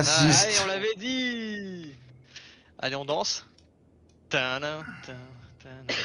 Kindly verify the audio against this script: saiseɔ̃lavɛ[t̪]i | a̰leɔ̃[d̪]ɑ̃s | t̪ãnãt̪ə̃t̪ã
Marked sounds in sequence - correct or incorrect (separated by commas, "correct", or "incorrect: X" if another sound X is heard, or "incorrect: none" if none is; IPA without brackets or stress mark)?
incorrect: d̪, correct